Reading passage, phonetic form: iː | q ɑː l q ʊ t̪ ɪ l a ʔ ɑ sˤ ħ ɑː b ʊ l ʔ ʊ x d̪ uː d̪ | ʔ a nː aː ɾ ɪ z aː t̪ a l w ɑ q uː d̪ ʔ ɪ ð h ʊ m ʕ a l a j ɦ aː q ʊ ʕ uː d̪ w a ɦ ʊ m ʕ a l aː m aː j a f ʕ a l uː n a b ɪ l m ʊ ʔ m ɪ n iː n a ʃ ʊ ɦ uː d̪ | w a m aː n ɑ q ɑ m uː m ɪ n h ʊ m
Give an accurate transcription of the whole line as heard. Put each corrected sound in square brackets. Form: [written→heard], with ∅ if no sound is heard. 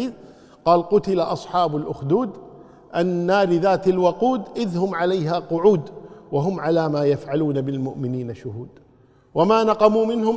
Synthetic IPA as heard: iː | q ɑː l q ʊ t̪ ɪ l a ʔ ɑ sˤ ħ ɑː b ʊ l ʔ ʊ x d̪ uː d̪ | ʔ a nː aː ɾ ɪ [z→ð] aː t̪ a l w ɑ q uː d̪ ʔ ɪ ð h ʊ m ʕ a l a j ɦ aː q ʊ ʕ uː d̪ w a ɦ ʊ m ʕ a l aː m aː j a f ʕ a l uː n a b ɪ l m ʊ ʔ m ɪ n iː n a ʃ ʊ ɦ uː d̪ | w a m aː n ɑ q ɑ m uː m ɪ n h ʊ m